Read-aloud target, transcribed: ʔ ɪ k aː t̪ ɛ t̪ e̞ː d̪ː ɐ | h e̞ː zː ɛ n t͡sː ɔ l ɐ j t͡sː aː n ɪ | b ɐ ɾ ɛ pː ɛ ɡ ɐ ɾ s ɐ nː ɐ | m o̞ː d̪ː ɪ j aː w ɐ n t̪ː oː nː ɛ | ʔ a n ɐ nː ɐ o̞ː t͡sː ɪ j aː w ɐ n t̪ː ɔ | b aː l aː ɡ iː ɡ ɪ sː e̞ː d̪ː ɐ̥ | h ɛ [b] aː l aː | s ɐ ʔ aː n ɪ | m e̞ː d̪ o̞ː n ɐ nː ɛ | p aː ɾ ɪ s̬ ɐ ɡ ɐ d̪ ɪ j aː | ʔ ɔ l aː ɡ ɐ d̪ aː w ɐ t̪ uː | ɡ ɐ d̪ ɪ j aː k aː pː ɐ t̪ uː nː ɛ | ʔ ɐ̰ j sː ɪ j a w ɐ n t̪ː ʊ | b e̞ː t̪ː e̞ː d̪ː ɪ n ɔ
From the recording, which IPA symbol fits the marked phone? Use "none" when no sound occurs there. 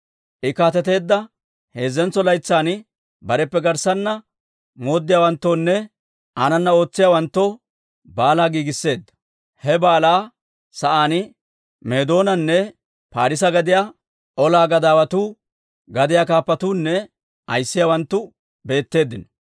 b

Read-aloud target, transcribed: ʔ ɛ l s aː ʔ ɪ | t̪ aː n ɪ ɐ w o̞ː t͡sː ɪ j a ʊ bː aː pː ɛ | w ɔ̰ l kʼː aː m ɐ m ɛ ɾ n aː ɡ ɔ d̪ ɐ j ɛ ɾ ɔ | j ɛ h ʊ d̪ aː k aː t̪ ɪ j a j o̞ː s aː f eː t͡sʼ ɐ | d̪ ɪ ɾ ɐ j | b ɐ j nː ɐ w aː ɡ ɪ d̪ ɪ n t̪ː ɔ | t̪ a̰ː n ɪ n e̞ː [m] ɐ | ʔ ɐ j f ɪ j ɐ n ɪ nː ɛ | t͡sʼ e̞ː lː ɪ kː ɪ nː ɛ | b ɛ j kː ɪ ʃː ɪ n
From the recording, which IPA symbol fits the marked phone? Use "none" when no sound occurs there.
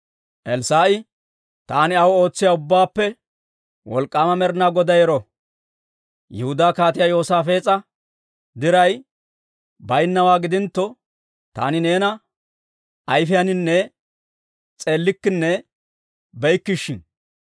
n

